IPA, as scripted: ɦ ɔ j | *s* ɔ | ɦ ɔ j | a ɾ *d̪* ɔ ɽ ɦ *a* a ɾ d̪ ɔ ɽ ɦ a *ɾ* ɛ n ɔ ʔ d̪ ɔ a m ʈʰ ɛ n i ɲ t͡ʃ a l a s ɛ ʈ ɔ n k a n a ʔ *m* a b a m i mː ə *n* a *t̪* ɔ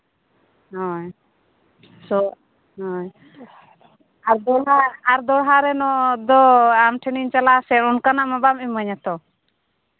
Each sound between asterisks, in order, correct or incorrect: correct, correct, correct, correct, correct, incorrect: ɲ, correct

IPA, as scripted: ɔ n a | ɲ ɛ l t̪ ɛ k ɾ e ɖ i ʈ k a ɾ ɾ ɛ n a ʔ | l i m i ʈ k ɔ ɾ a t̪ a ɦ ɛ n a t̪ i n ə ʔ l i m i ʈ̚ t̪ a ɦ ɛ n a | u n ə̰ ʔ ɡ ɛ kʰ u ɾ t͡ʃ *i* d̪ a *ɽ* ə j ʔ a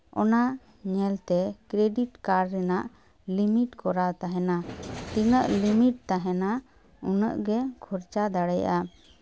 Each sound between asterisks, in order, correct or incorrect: incorrect: a, correct

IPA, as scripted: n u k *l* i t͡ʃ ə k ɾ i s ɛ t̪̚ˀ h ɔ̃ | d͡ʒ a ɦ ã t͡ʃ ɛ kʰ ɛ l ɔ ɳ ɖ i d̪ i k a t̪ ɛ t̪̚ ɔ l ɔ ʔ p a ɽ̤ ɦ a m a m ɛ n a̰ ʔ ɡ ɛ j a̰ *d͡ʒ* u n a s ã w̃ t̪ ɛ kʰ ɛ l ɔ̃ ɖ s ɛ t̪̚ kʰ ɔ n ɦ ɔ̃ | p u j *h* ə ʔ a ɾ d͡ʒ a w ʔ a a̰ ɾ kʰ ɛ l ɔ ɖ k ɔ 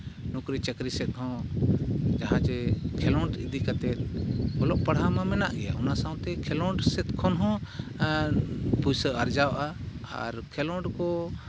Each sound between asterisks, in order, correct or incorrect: incorrect: ɾ, incorrect: none, incorrect: s

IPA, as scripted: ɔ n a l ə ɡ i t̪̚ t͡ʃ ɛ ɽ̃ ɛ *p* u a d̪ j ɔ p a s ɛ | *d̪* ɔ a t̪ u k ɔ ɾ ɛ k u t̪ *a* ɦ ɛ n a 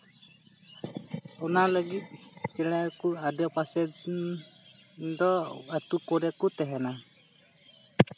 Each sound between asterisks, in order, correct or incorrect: incorrect: k, correct, incorrect: ɛ

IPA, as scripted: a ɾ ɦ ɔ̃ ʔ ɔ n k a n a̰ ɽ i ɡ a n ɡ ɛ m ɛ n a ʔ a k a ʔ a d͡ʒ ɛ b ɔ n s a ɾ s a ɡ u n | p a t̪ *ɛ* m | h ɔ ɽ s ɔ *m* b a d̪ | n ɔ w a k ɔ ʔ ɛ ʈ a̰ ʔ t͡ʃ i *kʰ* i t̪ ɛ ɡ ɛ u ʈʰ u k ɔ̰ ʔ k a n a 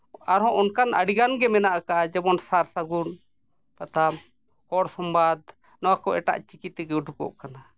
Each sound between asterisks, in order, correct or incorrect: incorrect: a, correct, incorrect: k

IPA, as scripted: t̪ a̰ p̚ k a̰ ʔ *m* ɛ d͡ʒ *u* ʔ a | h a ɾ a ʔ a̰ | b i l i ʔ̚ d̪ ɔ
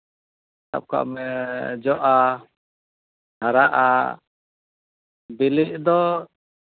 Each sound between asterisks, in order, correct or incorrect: correct, incorrect: ɔ

